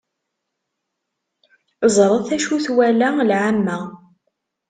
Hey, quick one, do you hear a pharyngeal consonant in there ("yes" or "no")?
yes